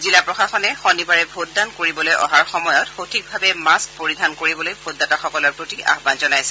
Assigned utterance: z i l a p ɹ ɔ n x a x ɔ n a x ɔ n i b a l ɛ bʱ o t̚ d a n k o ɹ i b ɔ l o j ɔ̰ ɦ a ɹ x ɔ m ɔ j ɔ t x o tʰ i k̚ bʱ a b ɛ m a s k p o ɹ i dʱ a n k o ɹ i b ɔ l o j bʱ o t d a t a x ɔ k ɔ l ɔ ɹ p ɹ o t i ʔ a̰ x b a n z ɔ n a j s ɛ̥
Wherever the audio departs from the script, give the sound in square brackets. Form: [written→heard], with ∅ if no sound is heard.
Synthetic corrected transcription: z i l a p ɹ ɔ [n→∅] x a x ɔ n [a→ɛ] x ɔ n i b a [l→ɹ] ɛ bʱ o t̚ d a n k o ɹ i b ɔ l o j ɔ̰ ɦ a ɹ x ɔ m ɔ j ɔ t x o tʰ i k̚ bʱ a b ɛ m a s k p o ɹ i dʱ a n k o ɹ i b ɔ l o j bʱ o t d a t a x ɔ k ɔ l ɔ ɹ p ɹ o t i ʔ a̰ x b a n z ɔ n a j s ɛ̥

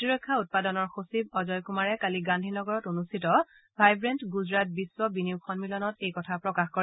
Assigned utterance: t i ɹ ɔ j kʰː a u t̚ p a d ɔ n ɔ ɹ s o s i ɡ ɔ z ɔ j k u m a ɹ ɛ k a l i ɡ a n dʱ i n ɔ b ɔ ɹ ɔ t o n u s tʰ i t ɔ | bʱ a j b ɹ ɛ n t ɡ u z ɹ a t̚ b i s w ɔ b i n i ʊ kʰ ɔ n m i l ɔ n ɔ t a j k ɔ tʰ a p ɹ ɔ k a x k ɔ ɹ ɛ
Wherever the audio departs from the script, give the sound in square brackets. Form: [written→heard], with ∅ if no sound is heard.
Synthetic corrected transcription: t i ɹ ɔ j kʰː a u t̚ p a d ɔ n ɔ ɹ [s→x] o s i [ɡ→b] ɔ z ɔ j k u m a ɹ ɛ k a l i ɡ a n dʱ i n ɔ [b→ɡ] ɔ ɹ ɔ t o n u s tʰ i t ɔ | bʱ a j b ɹ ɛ n t ɡ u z ɹ a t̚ b i s w ɔ b i n i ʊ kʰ ɔ n m i l ɔ n ɔ t [a→e] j k ɔ tʰ a p ɹ ɔ k a x k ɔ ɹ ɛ

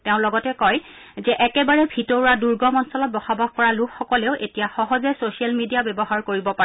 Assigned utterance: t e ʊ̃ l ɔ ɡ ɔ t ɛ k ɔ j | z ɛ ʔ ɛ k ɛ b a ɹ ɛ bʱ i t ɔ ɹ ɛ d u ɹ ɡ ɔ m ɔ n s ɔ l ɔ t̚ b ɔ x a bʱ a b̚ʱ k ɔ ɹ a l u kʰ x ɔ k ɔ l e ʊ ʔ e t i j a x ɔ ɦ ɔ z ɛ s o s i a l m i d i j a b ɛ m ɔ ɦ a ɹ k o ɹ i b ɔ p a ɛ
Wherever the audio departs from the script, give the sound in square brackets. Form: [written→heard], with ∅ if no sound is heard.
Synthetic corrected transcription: t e ʊ̃ l ɔ ɡ ɔ t ɛ k ɔ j | z ɛ ʔ ɛ k ɛ b a ɹ ɛ bʱ i t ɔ ɹ [ɛ→a] d u ɹ ɡ ɔ m ɔ n s ɔ l ɔ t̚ b ɔ x a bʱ a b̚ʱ k ɔ ɹ a l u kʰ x ɔ k ɔ l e ʊ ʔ e t i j a x ɔ ɦ ɔ z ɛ s o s i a l m i d i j a b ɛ [m→b] ɔ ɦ a ɹ k o ɹ i b ɔ p a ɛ

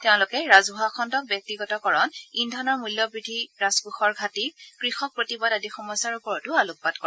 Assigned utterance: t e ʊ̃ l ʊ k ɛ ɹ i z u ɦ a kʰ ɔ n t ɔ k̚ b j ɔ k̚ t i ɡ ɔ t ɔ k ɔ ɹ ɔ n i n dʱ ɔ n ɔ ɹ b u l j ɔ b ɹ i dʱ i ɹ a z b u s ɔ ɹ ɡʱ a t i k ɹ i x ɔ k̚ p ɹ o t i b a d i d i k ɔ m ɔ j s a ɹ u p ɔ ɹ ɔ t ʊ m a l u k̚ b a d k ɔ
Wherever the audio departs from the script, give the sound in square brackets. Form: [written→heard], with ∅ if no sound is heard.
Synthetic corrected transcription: t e ʊ̃ l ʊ k ɛ ɹ [i→a] z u ɦ a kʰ ɔ n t ɔ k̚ b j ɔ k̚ t i ɡ ɔ t ɔ k ɔ ɹ ɔ n i n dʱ ɔ n ɔ ɹ [b→m] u l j ɔ b ɹ i dʱ i ɹ a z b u [s→x] ɔ ɹ ɡʱ a t i k ɹ i x ɔ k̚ p ɹ o t i b a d [i→a] d i [k→x] ɔ m ɔ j s a ɹ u p ɔ ɹ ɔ t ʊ [m→∅] a l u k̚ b a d k ɔ

